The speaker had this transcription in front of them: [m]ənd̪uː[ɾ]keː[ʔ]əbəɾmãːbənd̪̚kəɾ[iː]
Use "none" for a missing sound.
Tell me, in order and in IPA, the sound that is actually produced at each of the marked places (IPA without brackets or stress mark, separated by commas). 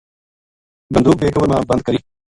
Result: b, none, k, iː